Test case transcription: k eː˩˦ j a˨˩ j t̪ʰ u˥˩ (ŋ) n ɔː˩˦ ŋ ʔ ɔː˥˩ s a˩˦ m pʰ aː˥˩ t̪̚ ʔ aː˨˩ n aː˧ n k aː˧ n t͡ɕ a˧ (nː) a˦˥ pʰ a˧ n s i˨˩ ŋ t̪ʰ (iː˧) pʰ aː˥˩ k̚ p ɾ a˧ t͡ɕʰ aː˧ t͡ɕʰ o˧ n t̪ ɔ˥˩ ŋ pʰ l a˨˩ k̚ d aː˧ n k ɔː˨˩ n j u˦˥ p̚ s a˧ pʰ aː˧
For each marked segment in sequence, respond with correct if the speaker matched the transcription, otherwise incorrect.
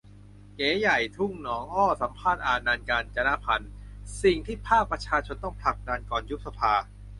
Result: correct, incorrect, incorrect

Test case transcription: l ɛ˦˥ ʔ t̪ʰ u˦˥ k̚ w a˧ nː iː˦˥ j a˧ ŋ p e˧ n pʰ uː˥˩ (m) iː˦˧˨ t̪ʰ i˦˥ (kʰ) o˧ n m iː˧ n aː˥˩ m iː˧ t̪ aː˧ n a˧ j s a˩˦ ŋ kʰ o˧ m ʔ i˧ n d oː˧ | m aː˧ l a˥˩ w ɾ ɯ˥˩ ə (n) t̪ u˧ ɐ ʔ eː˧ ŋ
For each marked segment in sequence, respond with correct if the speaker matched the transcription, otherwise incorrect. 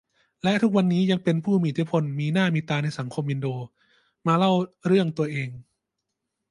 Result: correct, incorrect, incorrect

